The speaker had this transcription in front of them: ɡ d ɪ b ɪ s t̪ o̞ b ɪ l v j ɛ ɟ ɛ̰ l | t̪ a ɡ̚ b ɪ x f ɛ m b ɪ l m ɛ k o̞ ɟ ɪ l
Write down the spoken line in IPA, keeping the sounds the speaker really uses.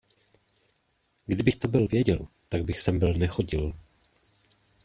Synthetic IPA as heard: ɡ d ɪ b ɪ x t̪ o̞ b ɪ l v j ɛ ɟ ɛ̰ l | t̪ a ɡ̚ b ɪ x s ɛ m b ɪ l n ɛ x o̞ ɟ ɪ l

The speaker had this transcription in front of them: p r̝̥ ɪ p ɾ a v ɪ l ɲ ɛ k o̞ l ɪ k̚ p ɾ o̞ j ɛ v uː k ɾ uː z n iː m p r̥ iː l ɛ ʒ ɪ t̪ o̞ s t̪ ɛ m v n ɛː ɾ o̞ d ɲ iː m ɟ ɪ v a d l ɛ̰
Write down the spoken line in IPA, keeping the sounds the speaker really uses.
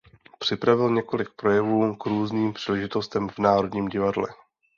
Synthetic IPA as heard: p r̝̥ ɪ p ɾ a v ɪ l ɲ ɛ k o̞ l ɪ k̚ p ɾ o̞ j ɛ v uː k ɾ uː z n iː m p r̥ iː l ɛ ʒ ɪ t̪ o̞ s t̪ ɛ m v n aː ɾ o̞ d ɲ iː m ɟ ɪ v a d l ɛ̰

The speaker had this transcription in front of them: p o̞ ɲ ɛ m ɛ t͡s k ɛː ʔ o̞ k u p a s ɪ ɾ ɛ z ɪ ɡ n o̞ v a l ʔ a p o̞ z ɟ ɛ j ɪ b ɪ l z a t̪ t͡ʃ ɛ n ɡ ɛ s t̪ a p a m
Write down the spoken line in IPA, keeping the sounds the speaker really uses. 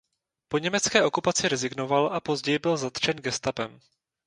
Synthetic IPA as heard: p o̞ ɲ ɛ m ɛ t͡s k ɛː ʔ o̞ k u p a t͡s ɪ ɾ ɛ z ɪ ɡ n o̞ v a l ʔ a p o̞ z ɟ ɛ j ɪ b ɪ l z a t̪ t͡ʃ ɛ n ɡ ɛ s t̪ a p ɛ m

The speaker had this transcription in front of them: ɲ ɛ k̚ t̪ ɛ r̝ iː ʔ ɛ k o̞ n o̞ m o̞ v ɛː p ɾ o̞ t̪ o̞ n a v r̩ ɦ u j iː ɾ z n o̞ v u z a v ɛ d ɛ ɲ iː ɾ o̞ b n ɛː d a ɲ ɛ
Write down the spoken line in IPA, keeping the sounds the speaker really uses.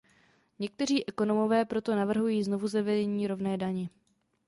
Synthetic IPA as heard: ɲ ɛ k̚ t̪ ɛ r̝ iː ʔ ɛ k o̞ n o̞ m o̞ v ɛː p ɾ o̞ t̪ o̞ n a v r̩ ɦ u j iː z n o̞ v u z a v ɛ d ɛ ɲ iː ɾ o̞ v n ɛː d a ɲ ɛ

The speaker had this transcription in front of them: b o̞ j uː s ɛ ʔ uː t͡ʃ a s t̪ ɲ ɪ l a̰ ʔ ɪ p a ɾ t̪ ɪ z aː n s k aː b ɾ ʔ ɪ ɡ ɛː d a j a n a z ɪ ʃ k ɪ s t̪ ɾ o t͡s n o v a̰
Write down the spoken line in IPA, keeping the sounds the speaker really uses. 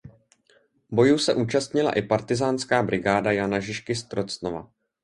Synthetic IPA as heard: b o̞ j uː s ɛ ʔ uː t͡ʃ a s t̪ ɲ ɪ l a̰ ʔ ɪ p a ɾ t̪ ɪ z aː n s k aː b ɾ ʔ ɪ ɡ aː d a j a n a ʒ ɪ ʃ k ɪ s t̪ ɾ o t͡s n o v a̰

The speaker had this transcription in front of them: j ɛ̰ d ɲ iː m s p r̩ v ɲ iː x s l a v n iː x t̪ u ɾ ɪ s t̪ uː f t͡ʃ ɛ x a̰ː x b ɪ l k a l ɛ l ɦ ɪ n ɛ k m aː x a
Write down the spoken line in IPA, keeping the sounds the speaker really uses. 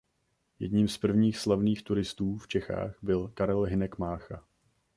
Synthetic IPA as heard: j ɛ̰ d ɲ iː m s p r̩ v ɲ iː x s l a v n iː x t̪ u ɾ ɪ s t̪ uː f t͡ʃ ɛ x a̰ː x b ɪ l k a ɾ ɛ l ɦ ɪ n ɛ k m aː x a

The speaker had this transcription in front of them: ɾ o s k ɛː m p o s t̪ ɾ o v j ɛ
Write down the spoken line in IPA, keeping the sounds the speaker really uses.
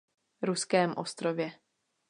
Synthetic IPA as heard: ɾ u s k ɛː m ʔ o s t̪ ɾ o v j ɛ

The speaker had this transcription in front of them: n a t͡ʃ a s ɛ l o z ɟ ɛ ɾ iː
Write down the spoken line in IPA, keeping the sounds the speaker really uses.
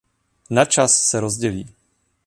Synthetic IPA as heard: n a t͡ʃ a sː ɛ ɾ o z ɟ ɛ l iː

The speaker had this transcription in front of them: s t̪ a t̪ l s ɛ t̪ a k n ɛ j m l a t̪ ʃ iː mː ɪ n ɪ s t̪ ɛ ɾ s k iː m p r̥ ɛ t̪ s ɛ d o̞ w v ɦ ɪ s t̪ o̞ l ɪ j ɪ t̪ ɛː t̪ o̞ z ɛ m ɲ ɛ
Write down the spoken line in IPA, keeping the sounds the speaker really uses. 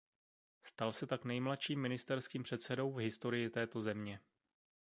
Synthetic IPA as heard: s t̪ a l s ɛ t̪ a k n ɛ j m l a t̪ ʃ iː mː ɪ n ɪ s t̪ ɛ ɾ s k iː m p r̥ ɛ t̪ s ɛ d o̞ w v ɦ ɪ s t̪ o̞ ɾ ɪ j ɪ t̪ ɛː t̪ o̞ z ɛ m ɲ ɛ

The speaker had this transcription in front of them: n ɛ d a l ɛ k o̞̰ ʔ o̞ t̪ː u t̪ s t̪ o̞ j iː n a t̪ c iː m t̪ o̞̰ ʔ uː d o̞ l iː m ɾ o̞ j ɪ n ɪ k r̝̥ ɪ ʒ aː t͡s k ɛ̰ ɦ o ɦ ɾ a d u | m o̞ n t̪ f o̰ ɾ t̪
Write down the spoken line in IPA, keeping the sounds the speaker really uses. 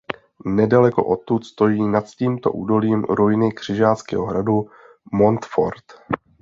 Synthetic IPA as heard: n ɛ d a l ɛ k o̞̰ ʔ o̞ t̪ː u t̪ s t̪ o̞ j iː n a t̪ c iː m t̪ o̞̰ ʔ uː d o̞ l iː m ɾ o̞ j ɪ n ɪ k r̝̥ ɪ ʒ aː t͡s k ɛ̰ ɦ o ɦ ɾ a d u | m o̞ n t̪ f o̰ ɾ t̪

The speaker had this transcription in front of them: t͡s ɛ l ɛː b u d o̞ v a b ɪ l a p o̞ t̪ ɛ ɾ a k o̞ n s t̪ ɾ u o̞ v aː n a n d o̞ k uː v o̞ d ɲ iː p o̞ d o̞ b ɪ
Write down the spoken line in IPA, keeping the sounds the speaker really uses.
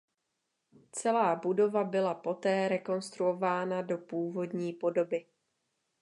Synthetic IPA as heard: t͡s ɛ l aː b u d o̞ v a b ɪ l a p o̞ t̪ ɛː ɾ ɛ k o̞ n s t̪ ɾ u o̞ v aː n a d o̞ p uː v o̞ d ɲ iː p o̞ d o̞ b ɪ

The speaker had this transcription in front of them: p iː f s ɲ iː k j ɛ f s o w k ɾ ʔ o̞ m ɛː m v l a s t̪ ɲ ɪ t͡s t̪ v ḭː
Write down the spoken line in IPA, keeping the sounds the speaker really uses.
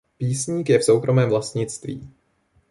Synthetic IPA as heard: p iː s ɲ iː k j ɛ f s o w k ɾ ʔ o̞ m ɛː m v l a s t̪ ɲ ɪ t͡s t̪ v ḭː

